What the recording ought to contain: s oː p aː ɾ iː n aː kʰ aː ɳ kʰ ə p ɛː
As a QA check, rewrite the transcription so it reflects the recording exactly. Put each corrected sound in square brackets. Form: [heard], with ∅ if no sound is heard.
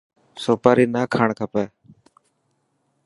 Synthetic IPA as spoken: s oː p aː ɾ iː n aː kʰ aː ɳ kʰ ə p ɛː